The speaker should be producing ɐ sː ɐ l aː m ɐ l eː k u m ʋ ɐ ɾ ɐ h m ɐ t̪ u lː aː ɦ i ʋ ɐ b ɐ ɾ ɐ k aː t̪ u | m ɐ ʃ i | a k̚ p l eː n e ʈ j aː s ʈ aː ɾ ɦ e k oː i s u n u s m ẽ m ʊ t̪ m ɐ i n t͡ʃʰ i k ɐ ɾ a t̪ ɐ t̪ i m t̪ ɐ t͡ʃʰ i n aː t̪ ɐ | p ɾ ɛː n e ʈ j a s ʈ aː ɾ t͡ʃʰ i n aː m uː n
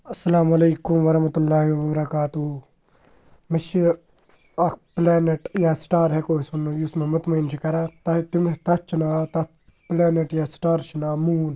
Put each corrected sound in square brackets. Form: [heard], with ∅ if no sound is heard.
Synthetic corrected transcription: ɐ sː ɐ l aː m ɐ l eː k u m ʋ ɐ ɾ ɐ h m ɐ t̪ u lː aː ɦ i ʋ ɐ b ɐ ɾ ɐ k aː t̪ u | m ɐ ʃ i | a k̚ p l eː n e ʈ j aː s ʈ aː ɾ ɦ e k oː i s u n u s m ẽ m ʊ t̪ m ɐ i n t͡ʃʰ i k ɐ ɾ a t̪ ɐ t̪ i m t̪ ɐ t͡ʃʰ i n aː t̪ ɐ | p [l] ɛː n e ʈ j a s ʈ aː ɾ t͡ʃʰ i n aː m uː n